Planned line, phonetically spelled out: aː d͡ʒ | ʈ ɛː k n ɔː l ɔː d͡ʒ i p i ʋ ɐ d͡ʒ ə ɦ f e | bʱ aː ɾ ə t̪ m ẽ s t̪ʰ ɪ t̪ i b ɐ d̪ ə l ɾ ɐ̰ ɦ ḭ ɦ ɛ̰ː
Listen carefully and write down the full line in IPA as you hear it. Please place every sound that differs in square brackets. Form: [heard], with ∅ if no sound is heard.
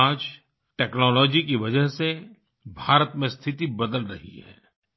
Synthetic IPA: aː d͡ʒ | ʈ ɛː k n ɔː l ɔː d͡ʒ i [k] i ʋ ɐ d͡ʒ ə ɦ [s] e | bʱ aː ɾ ə t̪ m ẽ s t̪ʰ ɪ t̪ i b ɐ d̪ ə l ɾ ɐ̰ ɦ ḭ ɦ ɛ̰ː